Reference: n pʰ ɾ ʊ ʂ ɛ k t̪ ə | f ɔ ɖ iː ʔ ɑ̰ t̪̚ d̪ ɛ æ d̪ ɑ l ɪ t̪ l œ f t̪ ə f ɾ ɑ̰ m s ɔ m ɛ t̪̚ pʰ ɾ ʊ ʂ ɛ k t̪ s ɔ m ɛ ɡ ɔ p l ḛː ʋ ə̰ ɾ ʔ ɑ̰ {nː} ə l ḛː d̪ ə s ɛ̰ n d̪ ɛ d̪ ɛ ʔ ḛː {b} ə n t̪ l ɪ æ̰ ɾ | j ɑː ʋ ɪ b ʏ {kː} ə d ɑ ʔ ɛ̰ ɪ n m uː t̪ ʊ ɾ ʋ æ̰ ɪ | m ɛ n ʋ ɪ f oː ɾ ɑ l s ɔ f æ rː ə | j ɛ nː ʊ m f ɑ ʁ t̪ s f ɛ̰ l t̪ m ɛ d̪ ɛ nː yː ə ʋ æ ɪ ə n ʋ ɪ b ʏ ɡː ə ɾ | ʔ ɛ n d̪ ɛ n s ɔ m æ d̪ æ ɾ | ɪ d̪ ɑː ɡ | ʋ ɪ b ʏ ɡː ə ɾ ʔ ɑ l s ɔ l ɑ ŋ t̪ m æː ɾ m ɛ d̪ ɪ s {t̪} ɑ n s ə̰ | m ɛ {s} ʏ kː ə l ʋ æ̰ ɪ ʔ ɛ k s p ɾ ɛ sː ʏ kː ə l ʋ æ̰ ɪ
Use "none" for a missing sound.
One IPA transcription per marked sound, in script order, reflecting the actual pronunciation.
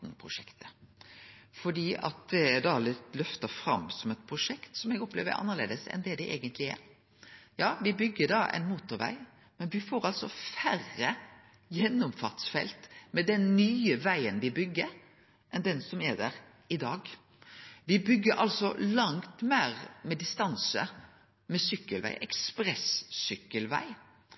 nː, ɡ, ɡː, t̪, s

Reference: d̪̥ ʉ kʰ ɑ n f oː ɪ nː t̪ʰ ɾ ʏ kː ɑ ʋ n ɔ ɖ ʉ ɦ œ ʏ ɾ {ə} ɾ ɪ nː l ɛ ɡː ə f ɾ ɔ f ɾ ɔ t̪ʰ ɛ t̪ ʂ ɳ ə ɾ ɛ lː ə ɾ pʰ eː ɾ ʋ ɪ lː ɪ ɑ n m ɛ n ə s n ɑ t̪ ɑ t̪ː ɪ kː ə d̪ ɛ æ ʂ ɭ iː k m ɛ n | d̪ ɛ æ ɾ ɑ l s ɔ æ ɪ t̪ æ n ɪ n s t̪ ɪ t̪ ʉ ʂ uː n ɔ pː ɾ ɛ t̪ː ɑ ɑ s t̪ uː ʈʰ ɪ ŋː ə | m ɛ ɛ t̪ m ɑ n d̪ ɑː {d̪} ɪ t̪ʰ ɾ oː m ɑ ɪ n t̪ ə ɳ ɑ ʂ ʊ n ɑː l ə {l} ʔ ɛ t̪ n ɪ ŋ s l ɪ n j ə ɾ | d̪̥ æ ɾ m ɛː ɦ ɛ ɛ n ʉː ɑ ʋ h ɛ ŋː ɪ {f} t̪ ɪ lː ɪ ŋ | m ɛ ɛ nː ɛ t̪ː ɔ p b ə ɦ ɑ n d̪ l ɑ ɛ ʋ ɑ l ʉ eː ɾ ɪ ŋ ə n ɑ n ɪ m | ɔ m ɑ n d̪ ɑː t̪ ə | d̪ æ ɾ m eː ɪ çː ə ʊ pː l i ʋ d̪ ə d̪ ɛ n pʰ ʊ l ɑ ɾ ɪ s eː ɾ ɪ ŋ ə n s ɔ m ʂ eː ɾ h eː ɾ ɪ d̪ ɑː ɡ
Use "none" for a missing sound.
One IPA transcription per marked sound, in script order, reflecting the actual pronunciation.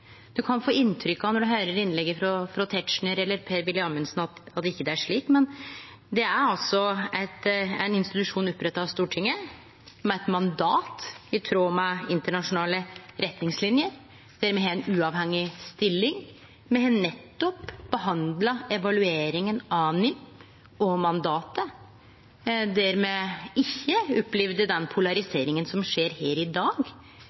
ə, t̪, ɾ, s

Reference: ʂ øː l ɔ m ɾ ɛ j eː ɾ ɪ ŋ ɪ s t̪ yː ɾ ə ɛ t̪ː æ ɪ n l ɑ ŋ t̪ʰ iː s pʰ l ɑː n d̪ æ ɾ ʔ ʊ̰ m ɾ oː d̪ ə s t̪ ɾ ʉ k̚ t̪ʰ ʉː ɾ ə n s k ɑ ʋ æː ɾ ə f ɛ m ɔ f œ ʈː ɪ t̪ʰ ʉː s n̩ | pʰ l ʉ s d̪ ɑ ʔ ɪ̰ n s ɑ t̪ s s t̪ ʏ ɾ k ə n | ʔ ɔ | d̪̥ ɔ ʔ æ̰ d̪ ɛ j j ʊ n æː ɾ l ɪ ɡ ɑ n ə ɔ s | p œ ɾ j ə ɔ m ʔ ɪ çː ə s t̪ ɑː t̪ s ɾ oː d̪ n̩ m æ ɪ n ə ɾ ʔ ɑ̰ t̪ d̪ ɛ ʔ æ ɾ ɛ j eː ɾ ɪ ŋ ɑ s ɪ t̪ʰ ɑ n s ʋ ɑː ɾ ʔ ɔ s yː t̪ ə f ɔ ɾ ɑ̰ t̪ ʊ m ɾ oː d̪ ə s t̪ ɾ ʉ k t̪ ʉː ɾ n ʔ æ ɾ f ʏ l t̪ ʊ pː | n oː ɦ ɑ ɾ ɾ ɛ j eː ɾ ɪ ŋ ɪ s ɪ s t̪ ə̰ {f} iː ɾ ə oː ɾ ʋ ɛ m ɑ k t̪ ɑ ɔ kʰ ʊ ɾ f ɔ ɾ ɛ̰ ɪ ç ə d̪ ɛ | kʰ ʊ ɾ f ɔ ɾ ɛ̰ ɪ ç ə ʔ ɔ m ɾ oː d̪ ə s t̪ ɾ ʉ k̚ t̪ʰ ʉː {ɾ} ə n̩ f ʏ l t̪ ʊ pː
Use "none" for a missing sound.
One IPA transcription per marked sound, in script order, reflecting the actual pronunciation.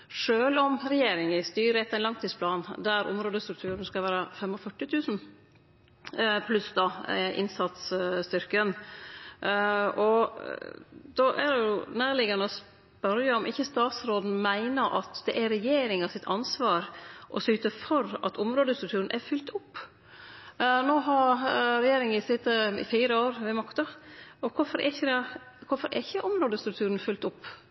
f, ɾ

